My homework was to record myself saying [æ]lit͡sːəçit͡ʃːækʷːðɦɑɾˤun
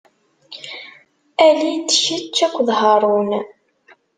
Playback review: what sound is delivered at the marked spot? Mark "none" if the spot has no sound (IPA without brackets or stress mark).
æ